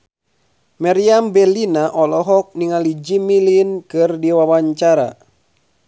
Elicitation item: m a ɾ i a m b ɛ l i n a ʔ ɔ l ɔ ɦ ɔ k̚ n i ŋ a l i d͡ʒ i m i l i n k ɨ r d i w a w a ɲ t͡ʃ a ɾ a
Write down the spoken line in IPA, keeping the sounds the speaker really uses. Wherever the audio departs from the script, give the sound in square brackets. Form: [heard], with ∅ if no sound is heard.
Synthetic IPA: m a ɾ i a m b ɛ l i n a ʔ ɔ l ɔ ɦ ɔ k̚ n i ŋ a l i d͡ʒ i m i l i n k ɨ r d i w a w a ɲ t͡ʃ a ɾ a